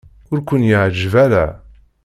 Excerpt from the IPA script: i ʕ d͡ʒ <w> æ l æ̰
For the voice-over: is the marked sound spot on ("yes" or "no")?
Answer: no